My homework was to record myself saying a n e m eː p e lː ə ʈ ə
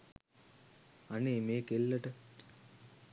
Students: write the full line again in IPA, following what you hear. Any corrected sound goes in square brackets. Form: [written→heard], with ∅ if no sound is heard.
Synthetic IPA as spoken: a n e m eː [p→k] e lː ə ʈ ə